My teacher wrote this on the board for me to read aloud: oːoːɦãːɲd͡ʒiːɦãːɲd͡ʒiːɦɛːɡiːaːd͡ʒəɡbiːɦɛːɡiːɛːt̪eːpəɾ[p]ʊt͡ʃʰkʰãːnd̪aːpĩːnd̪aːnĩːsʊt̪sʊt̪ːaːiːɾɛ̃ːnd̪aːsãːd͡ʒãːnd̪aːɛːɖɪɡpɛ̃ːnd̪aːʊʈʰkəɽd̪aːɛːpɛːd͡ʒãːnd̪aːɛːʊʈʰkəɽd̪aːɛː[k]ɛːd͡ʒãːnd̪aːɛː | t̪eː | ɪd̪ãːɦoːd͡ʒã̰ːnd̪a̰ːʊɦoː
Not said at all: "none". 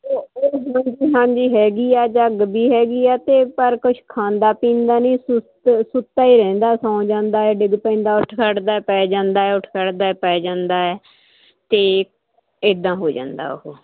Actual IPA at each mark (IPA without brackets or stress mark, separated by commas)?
k, p